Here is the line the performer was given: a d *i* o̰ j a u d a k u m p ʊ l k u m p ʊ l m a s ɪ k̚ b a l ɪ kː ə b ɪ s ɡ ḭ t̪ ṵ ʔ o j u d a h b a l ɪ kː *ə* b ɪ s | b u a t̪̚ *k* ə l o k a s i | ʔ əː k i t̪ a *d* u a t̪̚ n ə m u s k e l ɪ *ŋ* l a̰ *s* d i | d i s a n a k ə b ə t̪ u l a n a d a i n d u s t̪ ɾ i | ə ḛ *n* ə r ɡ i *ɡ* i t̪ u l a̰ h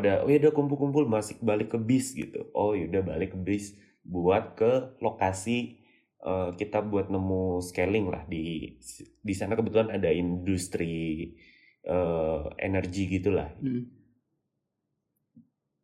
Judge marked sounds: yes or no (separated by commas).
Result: no, yes, yes, no, yes, no, yes, yes